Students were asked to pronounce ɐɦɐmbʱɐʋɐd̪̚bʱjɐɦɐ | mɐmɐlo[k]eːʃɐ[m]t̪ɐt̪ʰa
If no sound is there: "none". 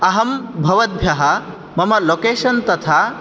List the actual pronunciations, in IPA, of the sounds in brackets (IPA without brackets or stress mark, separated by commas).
k, n